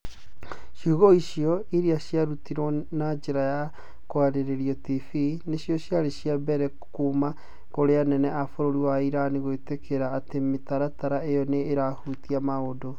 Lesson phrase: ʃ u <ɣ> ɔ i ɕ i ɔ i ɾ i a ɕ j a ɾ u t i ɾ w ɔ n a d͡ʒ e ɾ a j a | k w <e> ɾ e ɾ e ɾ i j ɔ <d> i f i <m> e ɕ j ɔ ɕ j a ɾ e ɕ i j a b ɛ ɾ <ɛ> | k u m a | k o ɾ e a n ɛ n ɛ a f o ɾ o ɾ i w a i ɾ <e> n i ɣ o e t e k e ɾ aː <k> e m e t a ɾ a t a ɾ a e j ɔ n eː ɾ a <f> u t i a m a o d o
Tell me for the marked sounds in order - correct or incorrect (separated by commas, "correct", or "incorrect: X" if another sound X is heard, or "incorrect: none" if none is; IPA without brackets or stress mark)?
correct, incorrect: a, incorrect: t, incorrect: n, correct, incorrect: a, incorrect: t, incorrect: h